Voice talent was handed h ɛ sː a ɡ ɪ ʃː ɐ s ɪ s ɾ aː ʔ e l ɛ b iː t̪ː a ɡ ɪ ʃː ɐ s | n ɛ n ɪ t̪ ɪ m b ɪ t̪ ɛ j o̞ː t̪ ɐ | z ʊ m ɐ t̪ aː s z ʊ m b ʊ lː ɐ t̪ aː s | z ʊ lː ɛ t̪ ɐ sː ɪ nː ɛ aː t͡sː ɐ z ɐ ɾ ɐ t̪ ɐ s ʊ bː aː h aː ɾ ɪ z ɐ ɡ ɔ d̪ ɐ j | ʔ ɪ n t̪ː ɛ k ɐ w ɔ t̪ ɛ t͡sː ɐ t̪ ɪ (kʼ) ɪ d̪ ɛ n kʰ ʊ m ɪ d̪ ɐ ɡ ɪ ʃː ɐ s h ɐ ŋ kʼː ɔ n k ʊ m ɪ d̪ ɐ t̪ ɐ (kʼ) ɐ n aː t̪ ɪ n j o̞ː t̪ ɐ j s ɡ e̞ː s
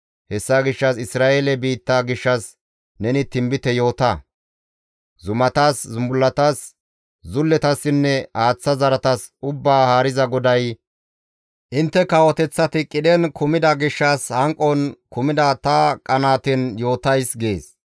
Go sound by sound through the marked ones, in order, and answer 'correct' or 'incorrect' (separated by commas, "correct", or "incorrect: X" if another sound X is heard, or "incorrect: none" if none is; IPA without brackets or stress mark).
correct, correct